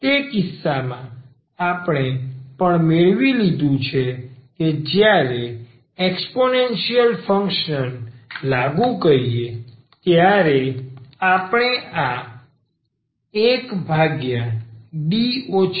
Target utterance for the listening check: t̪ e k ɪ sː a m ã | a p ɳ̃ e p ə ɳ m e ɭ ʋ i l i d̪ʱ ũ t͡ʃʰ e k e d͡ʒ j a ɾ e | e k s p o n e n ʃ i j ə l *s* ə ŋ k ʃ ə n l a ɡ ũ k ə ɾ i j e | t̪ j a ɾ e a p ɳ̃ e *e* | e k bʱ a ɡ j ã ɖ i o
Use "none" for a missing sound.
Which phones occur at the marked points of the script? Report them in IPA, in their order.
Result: f, a

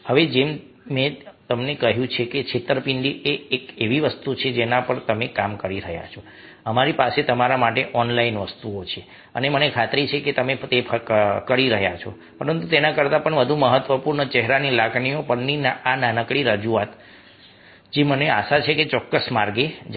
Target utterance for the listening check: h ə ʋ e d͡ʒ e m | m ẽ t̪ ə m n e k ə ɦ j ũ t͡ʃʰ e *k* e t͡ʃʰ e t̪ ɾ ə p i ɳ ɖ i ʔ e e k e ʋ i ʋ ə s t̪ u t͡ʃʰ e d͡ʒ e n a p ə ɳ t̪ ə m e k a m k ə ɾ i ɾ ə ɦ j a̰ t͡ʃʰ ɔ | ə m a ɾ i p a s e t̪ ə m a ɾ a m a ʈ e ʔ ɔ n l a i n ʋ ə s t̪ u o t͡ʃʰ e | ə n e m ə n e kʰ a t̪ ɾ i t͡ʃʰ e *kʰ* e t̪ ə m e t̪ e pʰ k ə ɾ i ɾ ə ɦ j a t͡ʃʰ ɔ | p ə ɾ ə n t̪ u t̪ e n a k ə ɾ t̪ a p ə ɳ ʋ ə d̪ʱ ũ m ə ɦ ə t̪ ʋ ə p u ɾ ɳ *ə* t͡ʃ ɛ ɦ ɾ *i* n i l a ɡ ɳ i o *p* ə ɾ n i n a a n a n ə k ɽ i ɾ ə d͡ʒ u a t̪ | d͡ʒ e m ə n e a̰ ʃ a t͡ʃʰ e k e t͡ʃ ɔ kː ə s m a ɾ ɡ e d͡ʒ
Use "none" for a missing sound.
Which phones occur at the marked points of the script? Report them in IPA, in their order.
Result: k, k, ə, a, p

